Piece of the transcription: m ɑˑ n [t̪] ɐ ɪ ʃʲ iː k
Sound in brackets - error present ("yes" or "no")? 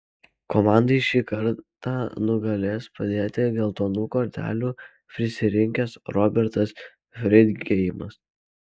yes